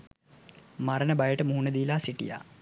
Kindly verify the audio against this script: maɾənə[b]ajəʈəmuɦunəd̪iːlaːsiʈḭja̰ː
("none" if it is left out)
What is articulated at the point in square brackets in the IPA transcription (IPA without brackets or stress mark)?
b